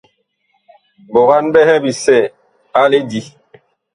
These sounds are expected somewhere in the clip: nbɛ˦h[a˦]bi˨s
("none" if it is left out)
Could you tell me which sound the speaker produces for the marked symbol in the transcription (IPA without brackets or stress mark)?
ɛ˦